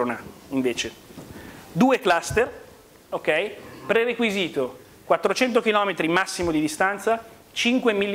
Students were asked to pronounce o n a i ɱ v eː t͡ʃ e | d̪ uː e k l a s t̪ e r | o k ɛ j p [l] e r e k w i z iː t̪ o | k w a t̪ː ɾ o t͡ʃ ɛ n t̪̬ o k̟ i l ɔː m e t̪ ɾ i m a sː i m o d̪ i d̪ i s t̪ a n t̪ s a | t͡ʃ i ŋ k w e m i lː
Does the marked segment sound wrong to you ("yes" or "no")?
yes